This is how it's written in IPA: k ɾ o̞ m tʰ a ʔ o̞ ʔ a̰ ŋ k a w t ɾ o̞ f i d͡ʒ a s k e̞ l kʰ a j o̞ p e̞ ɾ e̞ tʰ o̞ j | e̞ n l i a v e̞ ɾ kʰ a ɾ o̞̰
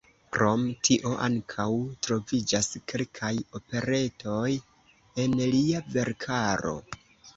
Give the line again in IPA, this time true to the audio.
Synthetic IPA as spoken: k ɾ o̞ m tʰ i ʔ o̞ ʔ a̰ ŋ kʰ a w t ɾ o̞ v i d͡ʒ a s k e̞ l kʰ a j o̞ p e̞ ɾ e̞ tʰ o̞ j | e̞ n l i a v e̞ ɾ kʰ a ɾ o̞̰